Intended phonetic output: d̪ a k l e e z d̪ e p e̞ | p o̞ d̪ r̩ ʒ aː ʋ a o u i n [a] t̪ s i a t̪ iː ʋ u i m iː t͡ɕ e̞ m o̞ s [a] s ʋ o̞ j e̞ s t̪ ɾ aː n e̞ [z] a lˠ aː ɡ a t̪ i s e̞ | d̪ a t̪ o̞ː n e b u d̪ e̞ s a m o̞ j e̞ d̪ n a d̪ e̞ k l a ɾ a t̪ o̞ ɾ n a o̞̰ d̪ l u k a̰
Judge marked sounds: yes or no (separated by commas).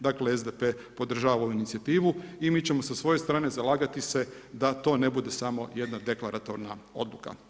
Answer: no, yes, yes